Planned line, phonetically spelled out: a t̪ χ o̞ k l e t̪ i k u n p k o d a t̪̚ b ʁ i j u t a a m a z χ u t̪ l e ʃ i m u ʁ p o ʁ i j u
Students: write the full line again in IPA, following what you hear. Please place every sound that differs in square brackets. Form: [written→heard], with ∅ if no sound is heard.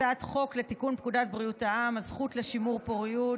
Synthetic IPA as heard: a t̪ χ o̞ k l e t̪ i k u n p k [o→u] d a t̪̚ b ʁ i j u t a a m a z χ u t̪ l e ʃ i m u ʁ p o ʁ i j u